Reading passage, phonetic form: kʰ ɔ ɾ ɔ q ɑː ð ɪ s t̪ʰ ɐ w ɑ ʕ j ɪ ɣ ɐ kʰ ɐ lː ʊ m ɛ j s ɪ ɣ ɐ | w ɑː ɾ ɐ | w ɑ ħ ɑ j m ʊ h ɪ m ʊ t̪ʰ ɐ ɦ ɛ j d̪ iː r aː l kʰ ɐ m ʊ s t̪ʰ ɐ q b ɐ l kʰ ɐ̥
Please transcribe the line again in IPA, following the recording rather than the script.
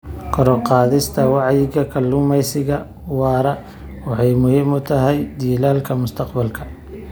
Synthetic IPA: kʰ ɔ ɾ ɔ q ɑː ð ɪ s t̪ʰ ɐ w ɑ ʕ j ɪ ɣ ɐ kʰ ɐ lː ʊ m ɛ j s ɪ ɣ ɐ | w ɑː ɾ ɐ | w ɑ ħ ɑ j m ʊ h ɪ m ʊ t̪ʰ ɐ ɦ ɛ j d̪ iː l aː l kʰ ɐ m ʊ s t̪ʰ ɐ q b ɐ l kʰ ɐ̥

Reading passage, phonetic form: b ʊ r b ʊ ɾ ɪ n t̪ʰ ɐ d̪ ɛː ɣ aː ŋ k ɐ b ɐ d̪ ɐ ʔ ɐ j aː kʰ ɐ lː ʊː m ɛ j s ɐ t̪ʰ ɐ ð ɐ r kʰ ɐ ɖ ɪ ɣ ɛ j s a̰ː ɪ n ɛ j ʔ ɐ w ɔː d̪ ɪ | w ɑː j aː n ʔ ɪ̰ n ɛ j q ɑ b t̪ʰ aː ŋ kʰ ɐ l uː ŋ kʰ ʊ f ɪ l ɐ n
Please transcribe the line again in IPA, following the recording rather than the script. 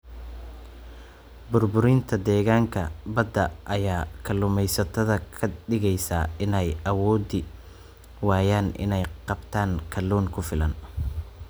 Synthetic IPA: b ʊ r b ʊ ɾ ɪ n t̪ʰ ɐ d̪ ɛː ɣ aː ŋ kʰ ɐ b ɐ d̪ ɐ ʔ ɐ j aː kʰ ɐ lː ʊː m ɛ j s ɐ t̪ʰ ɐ ð ɐ kʰ ɐ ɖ ɪ ɣ ɛ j s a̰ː ɪ n ɛ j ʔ ɐ w ɔː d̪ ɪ | w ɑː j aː n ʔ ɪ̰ n ɛ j q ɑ b t̪ʰ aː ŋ kʰ ɐ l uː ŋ kʰ ʊ f ɪ l ɐ n

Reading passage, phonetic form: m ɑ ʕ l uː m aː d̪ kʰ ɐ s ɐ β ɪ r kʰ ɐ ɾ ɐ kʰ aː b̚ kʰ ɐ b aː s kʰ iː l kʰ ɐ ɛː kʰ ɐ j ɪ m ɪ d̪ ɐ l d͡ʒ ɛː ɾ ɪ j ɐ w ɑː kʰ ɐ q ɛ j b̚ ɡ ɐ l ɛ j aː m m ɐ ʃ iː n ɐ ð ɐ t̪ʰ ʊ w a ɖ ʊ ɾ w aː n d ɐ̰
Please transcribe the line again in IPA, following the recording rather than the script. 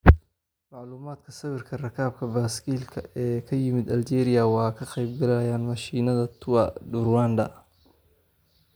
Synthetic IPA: m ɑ ʕ l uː m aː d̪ kʰ ɐ s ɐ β ɪ r kʰ ɐ r ɐ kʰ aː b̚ kʰ ɐ b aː s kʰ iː l kʰ ɐ ɛː kʰ ɐ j ɪ m ɪ d̪ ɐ l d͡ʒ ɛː ɾ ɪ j ɐ w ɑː kʰ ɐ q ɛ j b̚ ɡ ɐ l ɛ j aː n m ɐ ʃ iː n ɐ ð ɐ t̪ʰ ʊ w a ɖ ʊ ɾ w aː n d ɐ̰

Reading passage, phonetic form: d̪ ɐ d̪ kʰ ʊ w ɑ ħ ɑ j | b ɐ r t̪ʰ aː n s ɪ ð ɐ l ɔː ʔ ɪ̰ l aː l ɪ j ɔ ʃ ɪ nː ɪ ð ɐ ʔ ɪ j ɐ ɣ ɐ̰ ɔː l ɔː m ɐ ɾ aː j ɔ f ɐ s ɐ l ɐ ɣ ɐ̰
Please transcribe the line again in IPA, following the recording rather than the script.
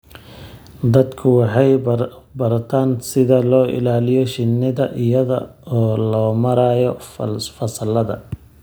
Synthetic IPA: d̪ ɐ d̪ kʰ ʊ w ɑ ħ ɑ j | b ɐ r t̪ʰ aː n s ɪ ð ɐ l ɔː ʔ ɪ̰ l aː l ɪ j ɔ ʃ ɪ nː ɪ ð ɐ ʔ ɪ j ɐ ð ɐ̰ ɔː l ɔː m ɐ ɾ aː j ɔ f ɐ s ɐ l ɐ ð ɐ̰

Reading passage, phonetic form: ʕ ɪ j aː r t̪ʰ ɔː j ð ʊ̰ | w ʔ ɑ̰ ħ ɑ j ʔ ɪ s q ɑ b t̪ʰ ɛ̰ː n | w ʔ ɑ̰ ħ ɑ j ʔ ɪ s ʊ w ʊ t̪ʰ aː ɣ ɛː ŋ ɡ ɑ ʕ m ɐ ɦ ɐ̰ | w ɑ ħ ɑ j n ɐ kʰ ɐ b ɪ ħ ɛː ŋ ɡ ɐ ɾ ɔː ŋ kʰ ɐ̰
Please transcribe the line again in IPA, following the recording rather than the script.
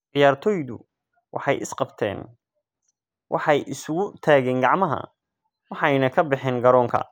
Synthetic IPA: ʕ ɪ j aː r t̪ʰ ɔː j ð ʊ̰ | w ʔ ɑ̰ ħ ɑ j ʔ ɪ s q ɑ b t̪ʰ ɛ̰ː n | w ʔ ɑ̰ ħ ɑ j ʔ ɪ s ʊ ɣ ʊ t̪ʰ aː ɣ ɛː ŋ ɡ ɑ ʕ m ɐ ɦ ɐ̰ | w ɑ ħ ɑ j n ɐ kʰ ɐ b ɪ ħ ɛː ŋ ɡ ɐ ɾ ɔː ŋ kʰ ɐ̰

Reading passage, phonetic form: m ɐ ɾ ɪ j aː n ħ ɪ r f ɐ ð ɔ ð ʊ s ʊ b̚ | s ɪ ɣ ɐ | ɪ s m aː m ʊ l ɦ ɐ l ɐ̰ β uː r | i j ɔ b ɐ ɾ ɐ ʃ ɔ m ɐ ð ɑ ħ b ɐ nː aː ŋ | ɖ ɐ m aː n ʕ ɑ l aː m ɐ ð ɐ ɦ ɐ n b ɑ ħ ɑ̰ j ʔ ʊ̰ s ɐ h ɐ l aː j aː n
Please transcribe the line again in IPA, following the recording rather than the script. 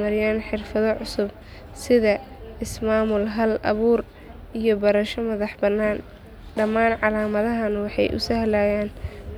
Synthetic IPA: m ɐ ɾ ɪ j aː n ħ ɪ r f ɐ ð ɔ ʕ ʊ s ʊ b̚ | s ɪ ð ɐ | ɪ s m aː m ʊ l ɦ ɐ l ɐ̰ β uː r | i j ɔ b ɐ ɾ ɐ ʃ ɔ m ɐ ð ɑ ħ b ɐ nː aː n | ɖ ɐ m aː n ʕ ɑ l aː m ɐ ð ɐ ɦ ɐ n w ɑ ħ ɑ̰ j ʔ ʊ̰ s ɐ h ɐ l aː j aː n

